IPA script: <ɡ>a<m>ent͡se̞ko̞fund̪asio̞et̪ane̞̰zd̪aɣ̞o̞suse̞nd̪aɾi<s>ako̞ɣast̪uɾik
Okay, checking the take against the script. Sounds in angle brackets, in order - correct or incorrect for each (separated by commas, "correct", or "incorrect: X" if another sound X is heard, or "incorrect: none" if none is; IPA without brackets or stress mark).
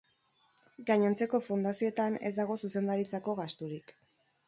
correct, incorrect: ɲ, incorrect: t͡s